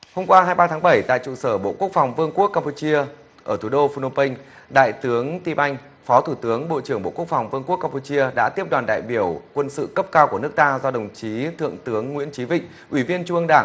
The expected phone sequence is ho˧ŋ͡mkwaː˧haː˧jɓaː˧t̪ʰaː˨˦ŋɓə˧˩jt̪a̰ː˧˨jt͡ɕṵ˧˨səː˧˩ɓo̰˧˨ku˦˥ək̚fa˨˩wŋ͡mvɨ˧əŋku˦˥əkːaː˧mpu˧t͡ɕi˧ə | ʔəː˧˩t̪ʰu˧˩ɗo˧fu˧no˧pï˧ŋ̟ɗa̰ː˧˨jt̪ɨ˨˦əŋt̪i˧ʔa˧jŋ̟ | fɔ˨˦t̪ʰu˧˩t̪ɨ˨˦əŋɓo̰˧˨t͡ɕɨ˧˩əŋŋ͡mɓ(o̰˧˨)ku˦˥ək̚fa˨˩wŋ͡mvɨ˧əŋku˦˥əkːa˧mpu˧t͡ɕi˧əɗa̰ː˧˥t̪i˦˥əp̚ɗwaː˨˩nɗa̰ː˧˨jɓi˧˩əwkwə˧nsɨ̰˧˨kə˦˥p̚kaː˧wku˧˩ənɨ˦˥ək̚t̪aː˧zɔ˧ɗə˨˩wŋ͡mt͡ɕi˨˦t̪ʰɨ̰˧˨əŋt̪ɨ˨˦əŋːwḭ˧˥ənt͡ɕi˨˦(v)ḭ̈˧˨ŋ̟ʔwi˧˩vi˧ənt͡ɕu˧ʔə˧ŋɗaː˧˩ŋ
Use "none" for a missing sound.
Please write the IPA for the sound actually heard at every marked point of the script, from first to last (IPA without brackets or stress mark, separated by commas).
o̰˧˨, v